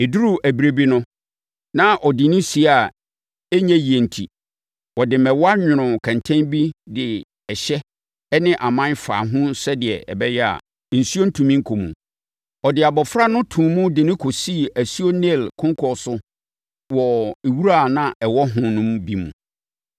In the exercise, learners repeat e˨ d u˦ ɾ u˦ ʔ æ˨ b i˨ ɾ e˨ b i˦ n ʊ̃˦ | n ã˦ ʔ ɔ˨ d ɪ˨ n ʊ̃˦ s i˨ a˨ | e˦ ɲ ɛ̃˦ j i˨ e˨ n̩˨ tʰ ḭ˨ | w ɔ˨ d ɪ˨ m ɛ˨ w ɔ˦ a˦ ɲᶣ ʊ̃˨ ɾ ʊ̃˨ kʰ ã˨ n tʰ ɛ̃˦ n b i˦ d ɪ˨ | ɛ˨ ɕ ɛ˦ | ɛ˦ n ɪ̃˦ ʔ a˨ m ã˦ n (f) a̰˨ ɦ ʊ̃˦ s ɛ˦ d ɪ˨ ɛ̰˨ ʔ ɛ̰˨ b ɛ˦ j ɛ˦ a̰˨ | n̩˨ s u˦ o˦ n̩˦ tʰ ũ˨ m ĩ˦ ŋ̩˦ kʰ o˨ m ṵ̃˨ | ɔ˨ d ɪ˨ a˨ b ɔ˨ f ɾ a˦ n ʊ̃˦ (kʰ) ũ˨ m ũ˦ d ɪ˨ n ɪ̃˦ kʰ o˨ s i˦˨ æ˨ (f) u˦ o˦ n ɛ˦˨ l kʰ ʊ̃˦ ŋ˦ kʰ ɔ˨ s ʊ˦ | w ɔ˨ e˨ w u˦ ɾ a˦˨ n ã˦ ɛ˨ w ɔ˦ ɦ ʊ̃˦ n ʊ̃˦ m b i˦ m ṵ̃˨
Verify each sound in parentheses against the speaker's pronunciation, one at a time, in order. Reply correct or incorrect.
correct, incorrect: tʰ, incorrect: s

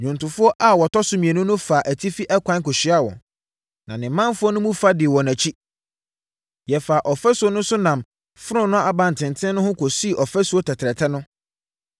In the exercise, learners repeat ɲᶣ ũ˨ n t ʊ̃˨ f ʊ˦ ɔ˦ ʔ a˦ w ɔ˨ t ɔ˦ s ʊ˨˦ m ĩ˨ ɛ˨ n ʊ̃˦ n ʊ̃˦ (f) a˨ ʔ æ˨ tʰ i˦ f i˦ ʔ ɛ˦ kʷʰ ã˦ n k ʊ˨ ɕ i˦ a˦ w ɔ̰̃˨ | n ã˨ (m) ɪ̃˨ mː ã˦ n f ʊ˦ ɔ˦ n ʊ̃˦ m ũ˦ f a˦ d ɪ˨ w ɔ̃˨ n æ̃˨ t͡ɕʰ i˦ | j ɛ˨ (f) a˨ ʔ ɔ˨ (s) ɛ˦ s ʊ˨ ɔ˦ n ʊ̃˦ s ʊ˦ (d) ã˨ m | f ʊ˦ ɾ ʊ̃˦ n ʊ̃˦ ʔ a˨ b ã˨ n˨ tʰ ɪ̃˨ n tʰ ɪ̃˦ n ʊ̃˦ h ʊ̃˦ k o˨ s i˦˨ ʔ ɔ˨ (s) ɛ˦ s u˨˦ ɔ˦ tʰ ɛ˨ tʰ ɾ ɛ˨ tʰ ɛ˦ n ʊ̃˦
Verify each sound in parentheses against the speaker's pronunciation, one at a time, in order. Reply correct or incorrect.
correct, incorrect: n, correct, incorrect: f, incorrect: n, incorrect: f

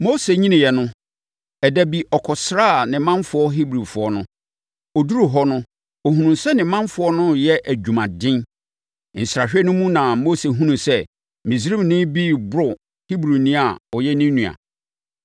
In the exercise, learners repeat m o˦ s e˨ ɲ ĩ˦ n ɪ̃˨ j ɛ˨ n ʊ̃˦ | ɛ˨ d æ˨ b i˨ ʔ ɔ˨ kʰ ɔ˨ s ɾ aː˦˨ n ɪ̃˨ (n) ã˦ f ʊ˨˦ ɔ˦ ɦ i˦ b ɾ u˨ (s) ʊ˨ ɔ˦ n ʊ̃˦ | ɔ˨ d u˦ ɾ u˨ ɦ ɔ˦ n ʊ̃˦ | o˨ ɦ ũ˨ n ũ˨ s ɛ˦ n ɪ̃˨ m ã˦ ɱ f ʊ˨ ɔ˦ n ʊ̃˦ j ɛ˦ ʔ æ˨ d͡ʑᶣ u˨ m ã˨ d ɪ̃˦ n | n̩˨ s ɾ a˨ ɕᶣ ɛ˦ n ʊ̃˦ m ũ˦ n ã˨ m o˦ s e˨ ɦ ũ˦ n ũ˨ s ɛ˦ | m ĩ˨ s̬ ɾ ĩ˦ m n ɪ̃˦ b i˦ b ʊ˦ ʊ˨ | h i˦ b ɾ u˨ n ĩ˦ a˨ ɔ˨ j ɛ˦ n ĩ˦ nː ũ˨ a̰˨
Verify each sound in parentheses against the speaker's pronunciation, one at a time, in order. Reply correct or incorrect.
incorrect: m, incorrect: f

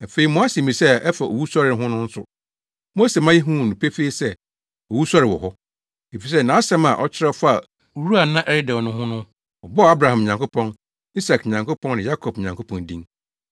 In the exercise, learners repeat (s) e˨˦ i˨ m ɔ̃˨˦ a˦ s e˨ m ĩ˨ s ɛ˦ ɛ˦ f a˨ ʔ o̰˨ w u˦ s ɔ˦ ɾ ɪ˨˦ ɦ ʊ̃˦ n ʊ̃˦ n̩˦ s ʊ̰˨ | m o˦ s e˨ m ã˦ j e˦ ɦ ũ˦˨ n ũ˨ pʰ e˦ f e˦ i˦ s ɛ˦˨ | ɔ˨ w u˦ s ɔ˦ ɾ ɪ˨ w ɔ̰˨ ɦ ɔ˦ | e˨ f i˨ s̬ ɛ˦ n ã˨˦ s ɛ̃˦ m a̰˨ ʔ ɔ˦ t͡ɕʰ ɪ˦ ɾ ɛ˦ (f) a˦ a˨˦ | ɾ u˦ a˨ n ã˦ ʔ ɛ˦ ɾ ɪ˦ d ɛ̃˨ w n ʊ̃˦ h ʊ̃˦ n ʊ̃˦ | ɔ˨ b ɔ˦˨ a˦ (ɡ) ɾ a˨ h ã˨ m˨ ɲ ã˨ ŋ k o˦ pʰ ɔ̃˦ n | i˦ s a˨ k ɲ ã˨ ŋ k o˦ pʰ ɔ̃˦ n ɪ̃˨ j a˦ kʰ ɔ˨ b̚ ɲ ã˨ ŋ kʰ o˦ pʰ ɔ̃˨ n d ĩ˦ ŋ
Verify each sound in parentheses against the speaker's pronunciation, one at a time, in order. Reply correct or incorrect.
incorrect: f, correct, incorrect: b

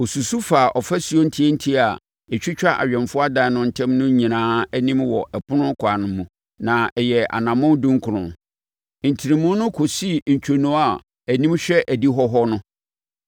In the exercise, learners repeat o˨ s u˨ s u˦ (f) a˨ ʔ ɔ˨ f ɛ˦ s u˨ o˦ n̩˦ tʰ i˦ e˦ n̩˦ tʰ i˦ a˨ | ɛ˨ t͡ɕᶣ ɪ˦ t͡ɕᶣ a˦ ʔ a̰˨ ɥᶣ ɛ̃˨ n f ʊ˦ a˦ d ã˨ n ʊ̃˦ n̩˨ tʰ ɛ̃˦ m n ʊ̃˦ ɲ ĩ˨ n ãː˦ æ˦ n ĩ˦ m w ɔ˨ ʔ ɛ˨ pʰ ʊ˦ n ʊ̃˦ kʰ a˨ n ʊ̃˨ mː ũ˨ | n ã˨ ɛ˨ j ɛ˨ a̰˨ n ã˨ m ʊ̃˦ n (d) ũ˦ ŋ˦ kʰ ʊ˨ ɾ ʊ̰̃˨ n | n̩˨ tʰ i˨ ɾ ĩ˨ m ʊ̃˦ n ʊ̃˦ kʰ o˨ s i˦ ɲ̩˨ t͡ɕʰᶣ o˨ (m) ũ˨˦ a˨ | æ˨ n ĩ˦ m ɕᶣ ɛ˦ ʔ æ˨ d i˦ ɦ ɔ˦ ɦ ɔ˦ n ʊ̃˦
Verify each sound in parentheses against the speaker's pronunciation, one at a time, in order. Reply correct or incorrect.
correct, correct, incorrect: n

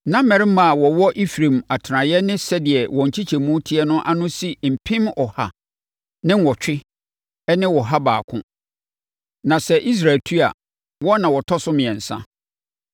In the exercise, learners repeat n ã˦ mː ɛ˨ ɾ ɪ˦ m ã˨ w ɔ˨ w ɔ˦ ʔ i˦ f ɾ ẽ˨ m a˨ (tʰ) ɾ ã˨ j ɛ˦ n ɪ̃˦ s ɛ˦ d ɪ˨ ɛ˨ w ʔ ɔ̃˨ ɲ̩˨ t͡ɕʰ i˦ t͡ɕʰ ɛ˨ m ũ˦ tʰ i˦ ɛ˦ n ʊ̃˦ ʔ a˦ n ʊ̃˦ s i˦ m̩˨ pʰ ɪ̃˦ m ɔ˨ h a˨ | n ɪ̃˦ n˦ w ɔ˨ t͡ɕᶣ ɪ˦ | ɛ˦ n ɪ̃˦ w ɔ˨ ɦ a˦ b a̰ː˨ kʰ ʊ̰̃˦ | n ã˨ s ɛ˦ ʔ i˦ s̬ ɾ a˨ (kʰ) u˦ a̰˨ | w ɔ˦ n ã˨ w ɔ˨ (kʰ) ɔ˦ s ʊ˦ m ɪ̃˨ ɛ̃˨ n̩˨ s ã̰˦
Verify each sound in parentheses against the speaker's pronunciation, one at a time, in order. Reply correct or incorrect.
correct, incorrect: tʰ, incorrect: tʰ

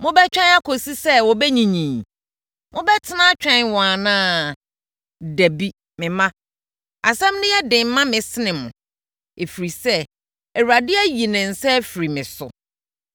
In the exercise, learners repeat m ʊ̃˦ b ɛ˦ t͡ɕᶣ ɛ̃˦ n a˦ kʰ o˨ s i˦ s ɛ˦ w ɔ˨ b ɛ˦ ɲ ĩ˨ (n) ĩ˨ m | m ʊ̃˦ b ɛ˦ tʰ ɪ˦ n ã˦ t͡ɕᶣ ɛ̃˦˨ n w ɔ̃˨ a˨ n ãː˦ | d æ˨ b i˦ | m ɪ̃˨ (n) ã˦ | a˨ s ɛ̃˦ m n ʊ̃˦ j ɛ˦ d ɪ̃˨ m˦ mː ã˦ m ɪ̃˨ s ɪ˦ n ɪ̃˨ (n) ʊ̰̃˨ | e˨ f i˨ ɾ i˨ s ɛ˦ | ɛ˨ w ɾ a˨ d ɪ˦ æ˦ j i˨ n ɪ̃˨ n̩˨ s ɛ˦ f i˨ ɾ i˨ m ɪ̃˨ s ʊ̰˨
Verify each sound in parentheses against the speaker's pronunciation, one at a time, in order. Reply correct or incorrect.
incorrect: ɲ, incorrect: m, incorrect: m

